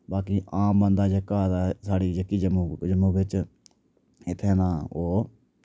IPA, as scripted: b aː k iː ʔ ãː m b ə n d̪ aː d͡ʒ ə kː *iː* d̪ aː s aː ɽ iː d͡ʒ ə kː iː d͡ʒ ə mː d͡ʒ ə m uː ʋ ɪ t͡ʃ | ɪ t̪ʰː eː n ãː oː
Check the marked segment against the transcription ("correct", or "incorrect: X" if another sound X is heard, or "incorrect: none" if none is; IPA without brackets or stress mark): incorrect: aː